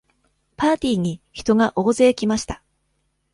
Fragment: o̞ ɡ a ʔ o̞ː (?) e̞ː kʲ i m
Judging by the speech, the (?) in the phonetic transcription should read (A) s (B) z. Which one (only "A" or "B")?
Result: B